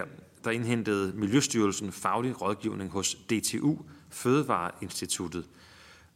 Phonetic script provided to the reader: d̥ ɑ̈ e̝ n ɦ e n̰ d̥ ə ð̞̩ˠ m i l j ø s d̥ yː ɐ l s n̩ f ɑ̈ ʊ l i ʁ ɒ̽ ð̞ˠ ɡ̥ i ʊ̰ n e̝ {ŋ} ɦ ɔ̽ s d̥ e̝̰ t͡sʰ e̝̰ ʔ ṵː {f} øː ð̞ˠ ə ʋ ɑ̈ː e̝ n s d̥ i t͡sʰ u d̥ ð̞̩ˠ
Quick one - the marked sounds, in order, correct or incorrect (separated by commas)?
correct, correct